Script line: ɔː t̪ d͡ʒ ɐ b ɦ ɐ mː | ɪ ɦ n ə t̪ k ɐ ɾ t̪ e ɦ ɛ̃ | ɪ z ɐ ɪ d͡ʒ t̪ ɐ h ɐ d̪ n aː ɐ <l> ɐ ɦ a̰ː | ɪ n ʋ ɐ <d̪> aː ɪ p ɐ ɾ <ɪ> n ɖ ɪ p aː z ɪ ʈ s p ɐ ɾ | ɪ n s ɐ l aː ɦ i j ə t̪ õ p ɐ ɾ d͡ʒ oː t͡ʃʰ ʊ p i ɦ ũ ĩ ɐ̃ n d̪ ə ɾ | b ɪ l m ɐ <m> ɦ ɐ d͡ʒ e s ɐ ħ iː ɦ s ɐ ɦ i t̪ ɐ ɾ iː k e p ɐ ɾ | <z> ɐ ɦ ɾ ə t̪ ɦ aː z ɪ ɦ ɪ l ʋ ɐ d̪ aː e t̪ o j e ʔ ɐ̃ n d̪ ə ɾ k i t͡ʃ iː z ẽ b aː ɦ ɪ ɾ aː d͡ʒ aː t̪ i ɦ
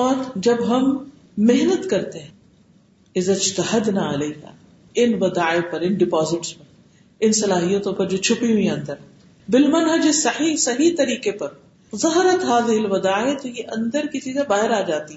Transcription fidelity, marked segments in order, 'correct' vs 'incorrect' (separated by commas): correct, correct, correct, incorrect, correct